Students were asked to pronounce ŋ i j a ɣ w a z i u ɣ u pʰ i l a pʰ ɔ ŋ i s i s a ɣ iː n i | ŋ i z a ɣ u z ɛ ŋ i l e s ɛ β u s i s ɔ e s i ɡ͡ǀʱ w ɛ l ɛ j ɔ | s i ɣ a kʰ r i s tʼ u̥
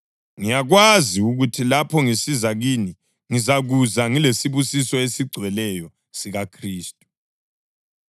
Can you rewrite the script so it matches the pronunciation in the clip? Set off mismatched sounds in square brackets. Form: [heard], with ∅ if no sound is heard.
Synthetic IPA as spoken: ŋ i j a ɣ w a z i u ɣ u [tʰ] i l a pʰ ɔ ŋ i s i [z] a ɣ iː n i | ŋ i z a ɣ u z [a] ŋ i l e s [i] β u s i s ɔ e s i ɡ͡ǀʱ w ɛ l ɛ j ɔ | s i ɣ a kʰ r [iː] s tʼ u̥

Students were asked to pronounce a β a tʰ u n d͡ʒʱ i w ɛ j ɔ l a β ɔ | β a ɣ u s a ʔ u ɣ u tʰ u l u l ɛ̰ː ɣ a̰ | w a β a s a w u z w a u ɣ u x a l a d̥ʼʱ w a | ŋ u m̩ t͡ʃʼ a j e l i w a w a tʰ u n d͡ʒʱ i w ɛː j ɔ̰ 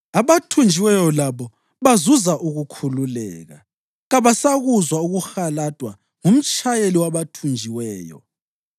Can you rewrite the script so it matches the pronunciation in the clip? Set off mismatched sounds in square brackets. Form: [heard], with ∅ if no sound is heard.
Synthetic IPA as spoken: a β a tʰ u n d͡ʒʱ i w ɛ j ɔ l a β ɔ | β a [z] u [z] a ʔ u ɣ u [kʰ] u l u l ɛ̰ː ɣ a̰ | [ɣ] a β a s a [ɣ] u z w a u ɣ u x a l a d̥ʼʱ w a | ŋ u m̩ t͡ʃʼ a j e l i w a [β] a tʰ u n d͡ʒʱ i w ɛː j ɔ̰

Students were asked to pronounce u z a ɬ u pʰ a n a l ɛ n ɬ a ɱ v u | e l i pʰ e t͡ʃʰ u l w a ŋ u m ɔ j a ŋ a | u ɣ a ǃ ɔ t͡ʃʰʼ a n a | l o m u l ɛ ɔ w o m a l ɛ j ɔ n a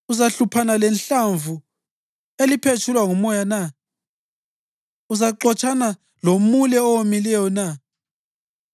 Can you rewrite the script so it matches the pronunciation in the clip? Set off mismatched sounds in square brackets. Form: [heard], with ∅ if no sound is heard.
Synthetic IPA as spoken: u z a ɬ u pʰ a n a l ɛ n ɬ a ɱ v u | e l i pʰ e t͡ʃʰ u l w a ŋ u m ɔ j a [n] a | u [z] a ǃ ɔ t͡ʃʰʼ a n a | l o m u l ɛ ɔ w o m [i] l ɛ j ɔ n a

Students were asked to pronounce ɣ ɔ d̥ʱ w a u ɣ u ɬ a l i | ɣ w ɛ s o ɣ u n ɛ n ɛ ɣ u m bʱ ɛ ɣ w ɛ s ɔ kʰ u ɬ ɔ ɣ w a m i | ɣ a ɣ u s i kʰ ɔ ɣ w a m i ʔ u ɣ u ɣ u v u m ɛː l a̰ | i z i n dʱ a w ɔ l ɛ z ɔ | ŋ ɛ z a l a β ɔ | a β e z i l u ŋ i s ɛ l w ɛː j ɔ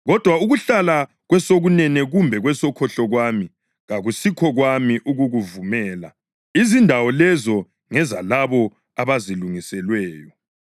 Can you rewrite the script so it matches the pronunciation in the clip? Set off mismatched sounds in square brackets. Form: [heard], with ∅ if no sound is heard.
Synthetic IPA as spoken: ɣ ɔ d̥ʱ w a u ɣ u ɬ a l [a] | ɣ w ɛ s o ɣ u n ɛ n ɛ ɣ u m bʱ ɛ ɣ w ɛ s ɔ kʰ [ɔ] ɬ ɔ ɣ w a m i | ɣ a ɣ u s i kʰ ɔ ɣ w a m i ʔ u ɣ u ɣ u v u m ɛː l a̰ | i z i n dʱ a w ɔ l ɛ z ɔ | ŋ ɛ z a l a β ɔ | a β [a] z i l u ŋ i s ɛ l w ɛː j ɔ

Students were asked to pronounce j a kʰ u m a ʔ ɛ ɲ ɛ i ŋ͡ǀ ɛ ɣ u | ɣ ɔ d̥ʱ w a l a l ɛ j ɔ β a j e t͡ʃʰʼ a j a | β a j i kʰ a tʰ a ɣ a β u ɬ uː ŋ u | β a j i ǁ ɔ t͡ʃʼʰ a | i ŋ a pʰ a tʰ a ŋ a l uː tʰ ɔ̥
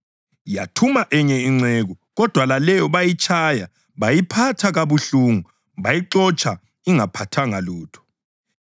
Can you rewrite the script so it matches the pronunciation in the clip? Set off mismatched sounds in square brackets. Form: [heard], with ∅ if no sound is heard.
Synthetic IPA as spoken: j a [tʰ] u m a ʔ ɛ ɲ ɛ i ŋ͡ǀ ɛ ɣ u | ɣ ɔ d̥ʱ w a l a l ɛ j ɔ β a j [i] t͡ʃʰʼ a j a | β a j i [pʰ] a tʰ a ɣ a β u ɬ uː ŋ u | β a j i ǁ ɔ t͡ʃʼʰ a | i ŋ a pʰ a tʰ a ŋ a l uː tʰ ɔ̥

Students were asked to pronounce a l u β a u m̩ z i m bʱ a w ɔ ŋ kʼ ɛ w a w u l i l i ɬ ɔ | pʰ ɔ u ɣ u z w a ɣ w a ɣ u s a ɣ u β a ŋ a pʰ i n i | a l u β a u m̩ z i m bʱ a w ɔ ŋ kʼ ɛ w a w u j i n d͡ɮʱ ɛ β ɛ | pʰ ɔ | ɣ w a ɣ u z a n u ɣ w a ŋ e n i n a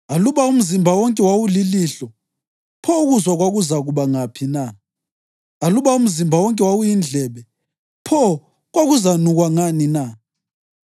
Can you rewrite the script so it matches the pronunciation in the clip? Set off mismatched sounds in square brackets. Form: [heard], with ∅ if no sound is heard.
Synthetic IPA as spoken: a l u β a u m̩ z i m bʱ a w ɔ ŋ kʼ ɛ w a w u l i l i ɬ ɔ | pʰ ɔ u ɣ u z w a ɣ w a ɣ u [z] a ɣ u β a ŋ a pʰ i n [a] | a l u β a u m̩ z i m bʱ a w ɔ ŋ kʼ ɛ w a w u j i n d͡ɮʱ ɛ β ɛ | pʰ ɔ | ɣ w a ɣ u z a n u ɣ w a ŋ [a] n i n a

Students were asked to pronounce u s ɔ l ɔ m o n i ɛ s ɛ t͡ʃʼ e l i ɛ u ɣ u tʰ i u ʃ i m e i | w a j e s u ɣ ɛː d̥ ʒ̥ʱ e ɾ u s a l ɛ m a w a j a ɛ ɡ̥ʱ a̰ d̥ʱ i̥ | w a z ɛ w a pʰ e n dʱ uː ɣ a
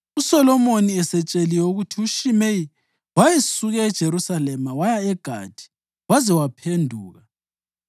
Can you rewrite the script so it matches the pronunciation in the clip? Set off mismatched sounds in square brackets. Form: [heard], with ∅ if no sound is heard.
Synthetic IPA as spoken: u s ɔ l ɔ m o n i ɛ s ɛ t͡ʃʼ e l i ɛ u ɣ u tʰ i u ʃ i m e i | w a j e s u ɣ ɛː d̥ ʒ̥ʱ e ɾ u s a l ɛ m a w a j a ɛ ɡ̥ʱ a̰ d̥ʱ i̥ | w a z ɛ w a pʰ e n dʱ uː ɣ a

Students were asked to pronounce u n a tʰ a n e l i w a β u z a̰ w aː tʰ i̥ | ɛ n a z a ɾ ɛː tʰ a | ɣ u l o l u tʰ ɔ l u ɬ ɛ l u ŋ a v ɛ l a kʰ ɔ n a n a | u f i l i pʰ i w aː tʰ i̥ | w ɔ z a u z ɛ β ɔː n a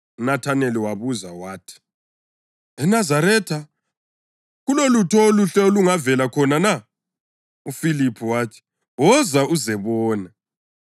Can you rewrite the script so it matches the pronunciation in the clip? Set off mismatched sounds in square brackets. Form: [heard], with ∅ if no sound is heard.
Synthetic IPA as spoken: u n a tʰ a n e l i w a β u z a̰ w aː tʰ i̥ | ɛ n a z a ɾ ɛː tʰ a | ɣ u l o l u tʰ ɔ l u ɬ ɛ l u ŋ a v ɛ l a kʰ ɔ n a n a | u f i l i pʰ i w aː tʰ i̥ | w ɔ z a u z ɛ β ɔː n a

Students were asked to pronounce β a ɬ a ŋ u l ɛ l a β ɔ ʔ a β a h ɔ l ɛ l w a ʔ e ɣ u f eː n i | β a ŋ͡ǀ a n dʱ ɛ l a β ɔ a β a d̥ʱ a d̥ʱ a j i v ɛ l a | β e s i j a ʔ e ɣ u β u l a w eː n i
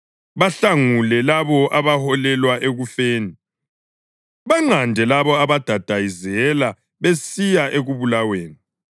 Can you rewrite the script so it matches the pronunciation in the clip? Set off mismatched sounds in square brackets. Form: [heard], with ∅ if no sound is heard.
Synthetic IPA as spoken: β a ɬ a ŋ u l ɛ l a β ɔ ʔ a β a h ɔ l ɛ l w a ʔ e ɣ u f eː n i | β a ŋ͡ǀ a n dʱ ɛ l a β ɔ a β a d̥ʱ a d̥ʱ a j i [z] ɛ l a | β e s i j a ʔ e ɣ u β u l a w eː n i

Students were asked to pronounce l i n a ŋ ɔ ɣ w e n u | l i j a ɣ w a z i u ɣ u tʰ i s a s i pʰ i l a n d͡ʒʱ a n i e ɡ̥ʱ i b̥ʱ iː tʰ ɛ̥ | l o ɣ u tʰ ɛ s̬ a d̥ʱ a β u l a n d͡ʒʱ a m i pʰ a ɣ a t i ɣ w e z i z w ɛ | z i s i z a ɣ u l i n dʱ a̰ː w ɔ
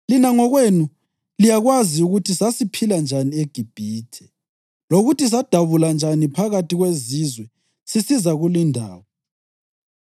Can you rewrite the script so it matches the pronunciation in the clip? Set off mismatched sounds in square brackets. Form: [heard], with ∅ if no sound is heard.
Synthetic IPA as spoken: l i n a ŋ ɔ ɣ w e n u | l i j a ɣ w a z i u ɣ u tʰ i s a s i pʰ i l a n d͡ʒʱ a n i e ɡ̥ʱ i b̥ʱ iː tʰ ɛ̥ | l o ɣ u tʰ [i] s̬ a d̥ʱ a β u l a n d͡ʒʱ a [n] i pʰ a ɣ a t i ɣ w e z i z w ɛ | [s] i s i z a ɣ u l i n dʱ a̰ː w ɔ

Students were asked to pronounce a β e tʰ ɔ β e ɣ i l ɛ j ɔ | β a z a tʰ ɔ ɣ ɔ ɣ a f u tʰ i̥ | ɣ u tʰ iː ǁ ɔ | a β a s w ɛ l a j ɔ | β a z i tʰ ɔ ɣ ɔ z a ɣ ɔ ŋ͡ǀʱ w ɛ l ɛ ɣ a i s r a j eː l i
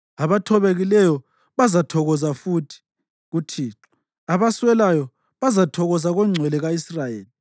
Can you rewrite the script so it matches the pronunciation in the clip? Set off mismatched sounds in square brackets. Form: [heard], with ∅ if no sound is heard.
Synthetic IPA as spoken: a β [a] tʰ ɔ β e ɣ i l ɛ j ɔ | β a z a tʰ ɔ ɣ ɔ [z] a f u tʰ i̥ | ɣ u tʰ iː ǁ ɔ | a β a s w ɛ l a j ɔ | β a z [a] tʰ ɔ ɣ ɔ z a ɣ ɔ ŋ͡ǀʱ w ɛ l ɛ ɣ a i s r a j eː l i

